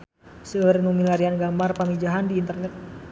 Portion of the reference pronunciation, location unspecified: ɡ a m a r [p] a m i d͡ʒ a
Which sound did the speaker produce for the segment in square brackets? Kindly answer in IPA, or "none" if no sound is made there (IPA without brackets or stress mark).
p